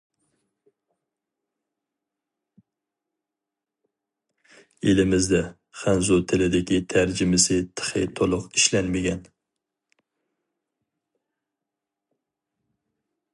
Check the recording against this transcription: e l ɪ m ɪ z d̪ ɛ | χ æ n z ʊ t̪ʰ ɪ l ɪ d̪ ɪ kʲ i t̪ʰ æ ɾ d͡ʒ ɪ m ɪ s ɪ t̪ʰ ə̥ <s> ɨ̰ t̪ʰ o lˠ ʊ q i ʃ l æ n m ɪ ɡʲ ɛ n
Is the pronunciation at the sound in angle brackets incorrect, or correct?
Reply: incorrect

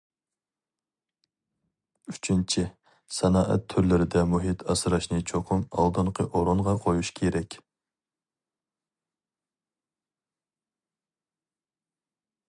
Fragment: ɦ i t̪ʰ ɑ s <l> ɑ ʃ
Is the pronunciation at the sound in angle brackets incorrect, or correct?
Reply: incorrect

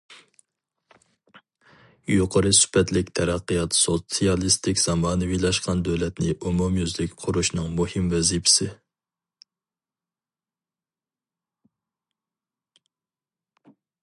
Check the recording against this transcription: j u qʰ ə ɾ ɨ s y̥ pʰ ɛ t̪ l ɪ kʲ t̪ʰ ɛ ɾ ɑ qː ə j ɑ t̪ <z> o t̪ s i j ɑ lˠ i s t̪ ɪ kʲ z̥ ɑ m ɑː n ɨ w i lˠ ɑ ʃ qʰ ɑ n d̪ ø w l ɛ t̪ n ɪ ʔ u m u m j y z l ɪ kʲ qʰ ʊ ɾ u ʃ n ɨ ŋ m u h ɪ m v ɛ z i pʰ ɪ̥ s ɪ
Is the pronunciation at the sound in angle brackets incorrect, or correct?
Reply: incorrect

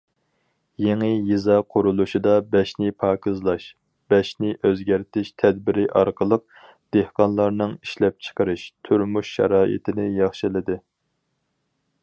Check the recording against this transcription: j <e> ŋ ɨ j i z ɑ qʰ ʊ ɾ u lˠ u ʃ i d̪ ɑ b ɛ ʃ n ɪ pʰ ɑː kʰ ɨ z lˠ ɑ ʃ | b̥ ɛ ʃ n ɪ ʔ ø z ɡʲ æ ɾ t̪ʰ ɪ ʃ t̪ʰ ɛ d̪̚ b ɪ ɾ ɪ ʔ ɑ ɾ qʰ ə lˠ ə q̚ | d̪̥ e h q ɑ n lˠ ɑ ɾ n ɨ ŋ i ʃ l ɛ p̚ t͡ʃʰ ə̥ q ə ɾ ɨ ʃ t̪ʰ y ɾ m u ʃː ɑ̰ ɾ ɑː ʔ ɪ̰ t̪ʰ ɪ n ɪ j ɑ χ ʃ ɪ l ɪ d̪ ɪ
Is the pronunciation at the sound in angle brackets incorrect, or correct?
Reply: correct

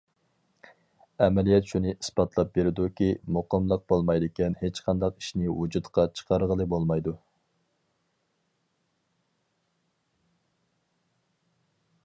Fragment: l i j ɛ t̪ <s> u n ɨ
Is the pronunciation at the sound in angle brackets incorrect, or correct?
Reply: incorrect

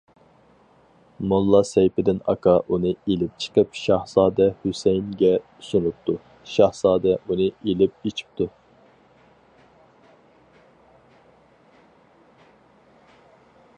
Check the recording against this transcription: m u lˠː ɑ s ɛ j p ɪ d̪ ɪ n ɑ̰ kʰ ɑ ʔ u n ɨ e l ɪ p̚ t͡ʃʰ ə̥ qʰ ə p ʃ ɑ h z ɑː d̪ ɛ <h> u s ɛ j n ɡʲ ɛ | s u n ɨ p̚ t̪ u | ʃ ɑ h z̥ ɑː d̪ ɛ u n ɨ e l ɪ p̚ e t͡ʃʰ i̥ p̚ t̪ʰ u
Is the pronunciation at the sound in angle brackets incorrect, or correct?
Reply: correct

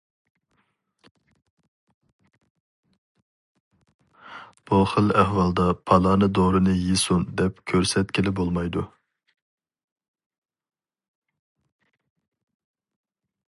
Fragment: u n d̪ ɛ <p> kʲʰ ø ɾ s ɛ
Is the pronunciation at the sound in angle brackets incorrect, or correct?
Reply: correct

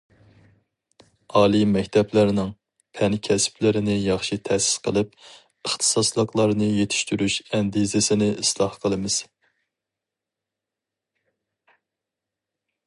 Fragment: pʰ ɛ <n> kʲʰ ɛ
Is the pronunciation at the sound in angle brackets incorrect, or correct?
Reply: correct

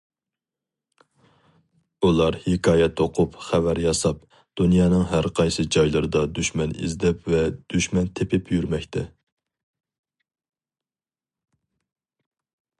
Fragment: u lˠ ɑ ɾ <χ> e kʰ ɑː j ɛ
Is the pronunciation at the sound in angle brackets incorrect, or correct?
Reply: incorrect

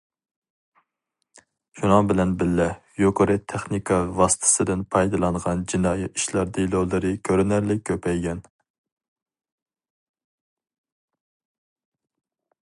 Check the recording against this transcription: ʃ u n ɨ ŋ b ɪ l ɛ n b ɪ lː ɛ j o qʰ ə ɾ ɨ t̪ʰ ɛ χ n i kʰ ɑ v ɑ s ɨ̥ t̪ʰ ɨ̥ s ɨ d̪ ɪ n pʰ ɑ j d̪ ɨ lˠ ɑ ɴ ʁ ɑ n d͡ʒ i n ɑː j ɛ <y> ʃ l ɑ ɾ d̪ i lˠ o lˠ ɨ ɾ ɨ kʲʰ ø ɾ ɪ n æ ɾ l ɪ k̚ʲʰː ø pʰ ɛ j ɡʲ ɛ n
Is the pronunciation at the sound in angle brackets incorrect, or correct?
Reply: incorrect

